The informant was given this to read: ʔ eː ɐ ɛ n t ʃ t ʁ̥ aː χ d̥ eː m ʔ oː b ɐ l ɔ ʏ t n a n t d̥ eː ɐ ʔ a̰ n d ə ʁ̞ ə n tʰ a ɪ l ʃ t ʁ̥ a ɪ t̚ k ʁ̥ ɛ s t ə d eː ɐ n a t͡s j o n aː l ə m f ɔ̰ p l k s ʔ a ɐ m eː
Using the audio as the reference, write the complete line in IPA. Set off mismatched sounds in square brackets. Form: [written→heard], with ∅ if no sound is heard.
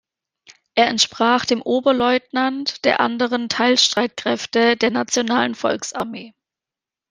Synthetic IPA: ʔ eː ɐ ɛ n t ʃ [t→p] ʁ̥ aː χ d̥ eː m ʔ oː b ɐ l ɔ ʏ t n a n t d̥ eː ɐ ʔ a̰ n d ə ʁ̞ ə n tʰ a ɪ l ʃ t ʁ̥ a ɪ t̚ k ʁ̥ ɛ [s→f] t ə d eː ɐ n a t͡s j o n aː l ə [m→n] f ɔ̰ [p→∅] l k s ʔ a ɐ m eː